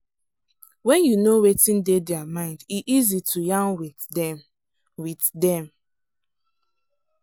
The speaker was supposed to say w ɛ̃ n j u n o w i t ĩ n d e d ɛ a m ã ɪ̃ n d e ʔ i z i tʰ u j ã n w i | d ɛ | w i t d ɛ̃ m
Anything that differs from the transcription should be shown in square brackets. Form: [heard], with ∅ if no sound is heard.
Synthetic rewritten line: w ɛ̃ n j u n o w [e] t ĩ n d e d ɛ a m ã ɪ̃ n d [i] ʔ i z i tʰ u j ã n w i | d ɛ | w i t d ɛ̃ m